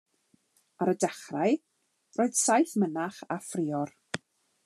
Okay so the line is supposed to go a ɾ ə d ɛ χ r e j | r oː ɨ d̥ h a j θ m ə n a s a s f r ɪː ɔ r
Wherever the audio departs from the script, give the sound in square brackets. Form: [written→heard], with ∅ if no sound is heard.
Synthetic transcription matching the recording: a ɾ ə d ɛ χ r [e→a] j | r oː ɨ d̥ [h→s] a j θ m ə n a [s→χ] a [s→∅] f r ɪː ɔ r